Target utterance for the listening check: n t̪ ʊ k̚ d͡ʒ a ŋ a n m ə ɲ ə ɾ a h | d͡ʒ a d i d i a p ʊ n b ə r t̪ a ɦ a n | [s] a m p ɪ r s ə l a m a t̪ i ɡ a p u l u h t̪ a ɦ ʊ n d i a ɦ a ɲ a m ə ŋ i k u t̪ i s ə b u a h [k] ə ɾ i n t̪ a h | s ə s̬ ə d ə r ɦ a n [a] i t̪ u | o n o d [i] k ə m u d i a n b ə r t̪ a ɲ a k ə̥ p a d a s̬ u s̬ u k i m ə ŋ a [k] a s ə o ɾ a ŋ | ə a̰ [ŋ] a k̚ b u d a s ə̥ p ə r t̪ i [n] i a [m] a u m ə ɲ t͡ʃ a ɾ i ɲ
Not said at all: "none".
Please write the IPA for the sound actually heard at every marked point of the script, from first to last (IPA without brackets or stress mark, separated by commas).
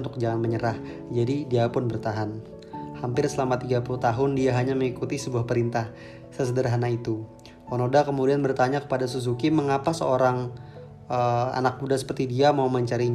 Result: h, p, a, a, p, n, d, m